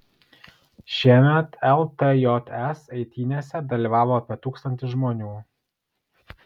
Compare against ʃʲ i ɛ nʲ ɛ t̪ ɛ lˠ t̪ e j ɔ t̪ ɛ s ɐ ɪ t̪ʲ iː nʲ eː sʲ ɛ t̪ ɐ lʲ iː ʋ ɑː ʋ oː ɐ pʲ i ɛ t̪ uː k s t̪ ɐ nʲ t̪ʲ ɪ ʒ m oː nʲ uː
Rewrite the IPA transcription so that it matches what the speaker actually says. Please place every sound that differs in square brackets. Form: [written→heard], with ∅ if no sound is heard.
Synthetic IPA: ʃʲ i ɛ [nʲ→mʲ] ɛ t̪ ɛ lˠ t̪ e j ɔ t̪ ɛ s ɐ ɪ t̪ʲ iː nʲ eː sʲ ɛ [t̪→d̪] ɐ lʲ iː ʋ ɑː ʋ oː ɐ pʲ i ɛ t̪ uː k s t̪ ɐ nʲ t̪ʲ ɪ ʒ m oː nʲ uː